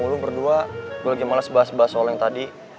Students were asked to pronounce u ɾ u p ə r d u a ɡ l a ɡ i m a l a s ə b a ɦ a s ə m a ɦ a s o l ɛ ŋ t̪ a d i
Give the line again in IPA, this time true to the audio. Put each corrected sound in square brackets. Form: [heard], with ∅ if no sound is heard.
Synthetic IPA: u [l] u [b] ə r d u a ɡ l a ɡ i m a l a s ə b a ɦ a s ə [b] a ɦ a s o l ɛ ŋ t̪ a d i